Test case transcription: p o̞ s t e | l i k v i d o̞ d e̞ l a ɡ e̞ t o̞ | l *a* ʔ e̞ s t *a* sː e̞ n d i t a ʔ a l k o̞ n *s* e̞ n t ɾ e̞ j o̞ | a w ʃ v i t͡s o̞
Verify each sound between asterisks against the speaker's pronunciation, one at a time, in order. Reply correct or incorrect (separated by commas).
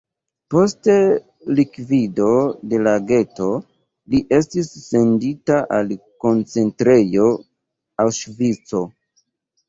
incorrect, incorrect, incorrect